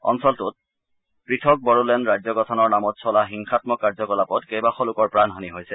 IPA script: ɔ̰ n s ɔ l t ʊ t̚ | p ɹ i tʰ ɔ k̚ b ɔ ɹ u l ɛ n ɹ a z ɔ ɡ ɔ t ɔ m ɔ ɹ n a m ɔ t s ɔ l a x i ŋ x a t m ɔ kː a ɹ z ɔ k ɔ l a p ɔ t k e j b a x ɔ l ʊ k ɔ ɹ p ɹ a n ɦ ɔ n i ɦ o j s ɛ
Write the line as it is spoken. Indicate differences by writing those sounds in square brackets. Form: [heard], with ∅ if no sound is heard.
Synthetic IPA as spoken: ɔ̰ n s ɔ l t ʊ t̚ | p ɹ i tʰ ɔ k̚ b ɔ ɹ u l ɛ n ɹ a z ɔ ɡ ɔ [tʰ] ɔ [n] ɔ ɹ n a m ɔ t s ɔ l a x i ŋ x a t m ɔ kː a ɹ z ɔ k ɔ l a p ɔ t k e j b a x ɔ l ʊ k ɔ ɹ p ɹ a n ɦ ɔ n i ɦ o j s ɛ

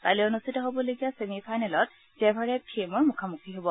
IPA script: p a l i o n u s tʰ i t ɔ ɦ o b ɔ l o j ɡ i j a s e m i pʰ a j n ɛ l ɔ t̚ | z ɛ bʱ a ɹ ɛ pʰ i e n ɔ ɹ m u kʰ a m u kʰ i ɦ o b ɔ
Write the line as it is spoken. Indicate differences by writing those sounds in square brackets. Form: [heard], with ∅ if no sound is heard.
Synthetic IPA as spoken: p a l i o n u s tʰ i t ɔ ɦ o b ɔ l o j ɡ i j a s e m i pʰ a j n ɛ l ɔ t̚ | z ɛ bʱ a ɹ ɛ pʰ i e [m] ɔ ɹ m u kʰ a m u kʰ i ɦ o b ɔ

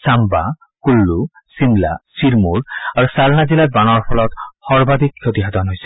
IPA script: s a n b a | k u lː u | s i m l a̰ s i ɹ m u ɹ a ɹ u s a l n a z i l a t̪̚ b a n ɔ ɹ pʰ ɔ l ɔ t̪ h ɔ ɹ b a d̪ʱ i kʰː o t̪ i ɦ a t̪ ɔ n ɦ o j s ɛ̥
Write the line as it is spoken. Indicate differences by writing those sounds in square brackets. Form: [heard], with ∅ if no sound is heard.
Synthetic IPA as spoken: s a [m] b a | k u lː u | s i m l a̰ s i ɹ m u ɹ a ɹ u s a l n a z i l a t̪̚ b a n ɔ ɹ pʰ ɔ l ɔ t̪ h ɔ ɹ b a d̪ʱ i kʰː o t̪ i ɦ a t̪ ɔ n ɦ o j s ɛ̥

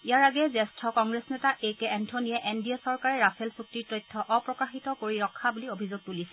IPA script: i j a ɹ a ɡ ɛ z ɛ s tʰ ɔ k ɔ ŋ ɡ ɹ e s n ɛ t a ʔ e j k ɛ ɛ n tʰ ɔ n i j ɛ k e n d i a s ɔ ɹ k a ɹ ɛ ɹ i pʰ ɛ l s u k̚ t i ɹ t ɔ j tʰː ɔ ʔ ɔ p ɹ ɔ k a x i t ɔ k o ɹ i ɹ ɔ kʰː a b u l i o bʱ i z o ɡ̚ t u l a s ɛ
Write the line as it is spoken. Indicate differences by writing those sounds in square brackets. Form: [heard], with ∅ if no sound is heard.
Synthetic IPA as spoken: i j a ɹ a ɡ ɛ z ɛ s tʰ ɔ k ɔ ŋ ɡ ɹ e s n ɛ t a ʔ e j k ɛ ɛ n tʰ ɔ n i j ɛ [ʔ] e n d i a s ɔ ɹ k a ɹ ɛ ɹ [a] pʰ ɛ l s u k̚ t i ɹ t ɔ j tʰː ɔ ʔ ɔ p ɹ ɔ k a x i t ɔ k o ɹ i ɹ ɔ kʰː a b u l i o bʱ i z o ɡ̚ t u l [i] s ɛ

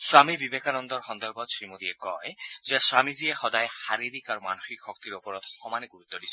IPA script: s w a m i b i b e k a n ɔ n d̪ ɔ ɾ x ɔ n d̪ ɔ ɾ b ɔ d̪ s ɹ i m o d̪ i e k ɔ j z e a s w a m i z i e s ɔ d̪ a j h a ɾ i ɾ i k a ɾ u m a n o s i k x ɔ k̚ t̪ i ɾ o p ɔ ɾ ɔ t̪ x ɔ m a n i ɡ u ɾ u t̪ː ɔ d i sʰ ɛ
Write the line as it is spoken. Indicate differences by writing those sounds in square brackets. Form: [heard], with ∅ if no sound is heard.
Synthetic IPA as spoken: s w a m i b i b e k a n ɔ n d̪ ɔ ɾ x ɔ n d̪ ɔ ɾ b ɔ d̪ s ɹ i m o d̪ i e k ɔ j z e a s w a m i z i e [x] ɔ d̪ a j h a ɾ i ɾ i k a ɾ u m a n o [x] i k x ɔ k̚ t̪ i ɾ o p ɔ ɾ ɔ t̪ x ɔ m a n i ɡ u ɾ u t̪ː ɔ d i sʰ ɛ

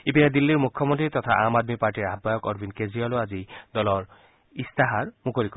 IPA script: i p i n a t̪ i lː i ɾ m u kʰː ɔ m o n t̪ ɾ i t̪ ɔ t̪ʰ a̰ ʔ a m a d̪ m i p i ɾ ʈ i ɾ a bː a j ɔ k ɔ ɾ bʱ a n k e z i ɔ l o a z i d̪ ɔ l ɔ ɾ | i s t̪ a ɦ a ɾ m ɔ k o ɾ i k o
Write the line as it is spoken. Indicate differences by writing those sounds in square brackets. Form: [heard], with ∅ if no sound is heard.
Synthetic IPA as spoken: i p i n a [d̪] i lː i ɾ m u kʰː ɔ m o n t̪ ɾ i t̪ ɔ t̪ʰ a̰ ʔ a m a d̪ m i p [a] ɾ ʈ i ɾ a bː a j ɔ k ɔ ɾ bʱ [i] n k e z i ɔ l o a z i d̪ ɔ l ɔ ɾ | i s t̪ a ɦ a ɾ m [u] k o ɾ i k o

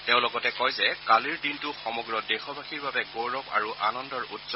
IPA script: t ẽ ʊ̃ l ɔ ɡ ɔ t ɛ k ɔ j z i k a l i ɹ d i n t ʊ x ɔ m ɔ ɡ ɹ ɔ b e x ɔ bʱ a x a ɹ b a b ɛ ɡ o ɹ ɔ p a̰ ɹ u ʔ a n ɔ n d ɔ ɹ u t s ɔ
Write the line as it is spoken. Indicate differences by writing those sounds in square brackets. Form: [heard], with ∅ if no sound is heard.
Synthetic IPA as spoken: t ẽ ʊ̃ l ɔ ɡ ɔ t ɛ k ɔ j z [ɛ] k a l i ɹ d i n t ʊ x ɔ m ɔ ɡ ɹ ɔ [d] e x ɔ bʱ a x [i] ɹ b a b ɛ ɡ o ɹ ɔ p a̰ ɹ u ʔ a n ɔ n d ɔ ɹ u t s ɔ

